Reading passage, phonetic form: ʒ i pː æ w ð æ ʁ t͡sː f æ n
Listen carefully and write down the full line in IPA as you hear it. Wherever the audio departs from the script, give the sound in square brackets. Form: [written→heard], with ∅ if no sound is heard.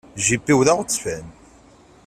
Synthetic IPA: ʒ i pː [æ→i] w ð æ ʁ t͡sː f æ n

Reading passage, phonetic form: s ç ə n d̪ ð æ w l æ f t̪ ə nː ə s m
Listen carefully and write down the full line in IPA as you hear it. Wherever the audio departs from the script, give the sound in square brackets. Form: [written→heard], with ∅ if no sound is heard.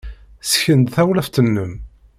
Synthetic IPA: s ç ə n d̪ [ð→θ] æ w l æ f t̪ ə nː ə [s→∅] m

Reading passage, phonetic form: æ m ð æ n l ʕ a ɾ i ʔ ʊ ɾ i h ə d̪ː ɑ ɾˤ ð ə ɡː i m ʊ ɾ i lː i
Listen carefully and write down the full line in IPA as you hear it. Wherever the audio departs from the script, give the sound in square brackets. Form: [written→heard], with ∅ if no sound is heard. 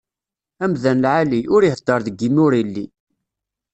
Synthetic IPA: æ m ð æ n l ʕ a [ɾ→l] i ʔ ʊ ɾ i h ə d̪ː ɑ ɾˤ ð ə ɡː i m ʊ ɾ i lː i

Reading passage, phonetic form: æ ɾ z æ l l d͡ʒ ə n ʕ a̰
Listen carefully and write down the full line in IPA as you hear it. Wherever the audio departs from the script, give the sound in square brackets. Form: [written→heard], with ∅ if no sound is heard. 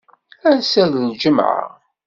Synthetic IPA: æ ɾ [z→s] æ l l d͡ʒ ə [n→m] ʕ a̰

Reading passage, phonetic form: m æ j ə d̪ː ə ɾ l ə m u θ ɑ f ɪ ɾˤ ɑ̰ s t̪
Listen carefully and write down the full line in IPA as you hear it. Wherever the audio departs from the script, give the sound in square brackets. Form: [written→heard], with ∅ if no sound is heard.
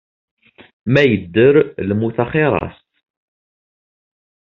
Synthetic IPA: m æ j ə d̪ː ə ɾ l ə m u θ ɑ [f→χ] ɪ ɾˤ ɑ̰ s t̪

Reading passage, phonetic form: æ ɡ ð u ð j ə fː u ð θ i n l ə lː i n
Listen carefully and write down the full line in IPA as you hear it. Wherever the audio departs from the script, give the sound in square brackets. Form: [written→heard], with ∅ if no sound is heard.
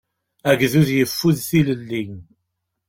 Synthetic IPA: æ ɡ ð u ð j ə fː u ð θ i [n→∅] l ə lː i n

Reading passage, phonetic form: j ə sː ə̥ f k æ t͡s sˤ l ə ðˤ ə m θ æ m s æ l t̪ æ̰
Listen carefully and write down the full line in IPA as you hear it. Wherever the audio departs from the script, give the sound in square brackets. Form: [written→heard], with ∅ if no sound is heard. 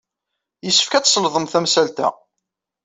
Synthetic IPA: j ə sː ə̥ f k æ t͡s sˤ l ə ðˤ ə m θ æ m s æ l t̪ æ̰

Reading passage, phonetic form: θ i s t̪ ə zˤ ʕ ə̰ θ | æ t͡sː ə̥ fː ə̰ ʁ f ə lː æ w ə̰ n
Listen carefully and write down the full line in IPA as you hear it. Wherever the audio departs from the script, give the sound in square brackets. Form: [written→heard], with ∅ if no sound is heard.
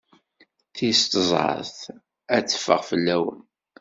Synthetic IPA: θ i s t̪ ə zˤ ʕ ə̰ θ | æ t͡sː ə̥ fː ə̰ ʁ f ə lː æ w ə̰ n

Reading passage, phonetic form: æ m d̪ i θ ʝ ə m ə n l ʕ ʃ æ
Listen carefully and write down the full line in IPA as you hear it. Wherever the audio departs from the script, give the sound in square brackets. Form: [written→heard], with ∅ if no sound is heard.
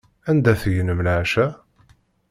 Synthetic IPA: æ [m→n] d̪ [i→æ] θ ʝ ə [m→n] ə [n→m] l ʕ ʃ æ

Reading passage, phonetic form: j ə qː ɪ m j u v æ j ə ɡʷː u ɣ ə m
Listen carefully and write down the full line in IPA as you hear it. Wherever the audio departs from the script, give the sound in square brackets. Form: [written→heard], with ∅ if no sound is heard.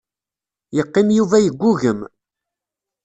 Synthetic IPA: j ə qː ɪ m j u v æ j ə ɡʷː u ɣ ə m

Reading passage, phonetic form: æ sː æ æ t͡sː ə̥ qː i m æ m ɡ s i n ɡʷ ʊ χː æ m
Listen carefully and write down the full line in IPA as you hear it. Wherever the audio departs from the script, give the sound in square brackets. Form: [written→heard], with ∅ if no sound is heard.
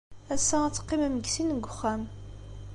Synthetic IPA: æ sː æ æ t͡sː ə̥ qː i m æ m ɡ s i n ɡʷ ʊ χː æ m

